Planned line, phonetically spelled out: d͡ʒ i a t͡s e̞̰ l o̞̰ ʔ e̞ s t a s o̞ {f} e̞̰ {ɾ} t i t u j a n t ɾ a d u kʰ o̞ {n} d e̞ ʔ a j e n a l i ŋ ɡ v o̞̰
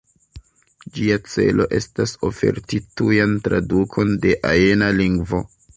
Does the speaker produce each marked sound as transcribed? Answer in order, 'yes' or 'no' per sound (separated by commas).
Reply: yes, yes, yes